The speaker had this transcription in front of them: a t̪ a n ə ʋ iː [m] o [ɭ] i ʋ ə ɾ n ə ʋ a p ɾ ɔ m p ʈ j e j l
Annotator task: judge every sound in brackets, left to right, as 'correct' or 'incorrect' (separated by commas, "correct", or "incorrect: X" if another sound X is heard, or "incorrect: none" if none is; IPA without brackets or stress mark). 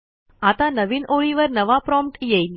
incorrect: n, correct